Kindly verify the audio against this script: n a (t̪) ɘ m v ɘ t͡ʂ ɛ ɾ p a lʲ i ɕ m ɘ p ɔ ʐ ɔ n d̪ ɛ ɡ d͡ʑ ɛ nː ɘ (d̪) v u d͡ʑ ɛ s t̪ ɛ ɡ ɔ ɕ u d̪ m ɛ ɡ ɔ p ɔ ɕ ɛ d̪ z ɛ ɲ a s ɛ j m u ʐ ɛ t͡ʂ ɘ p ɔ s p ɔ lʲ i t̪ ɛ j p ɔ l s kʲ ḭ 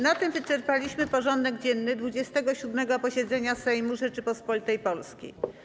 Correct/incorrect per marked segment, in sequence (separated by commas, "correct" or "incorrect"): correct, correct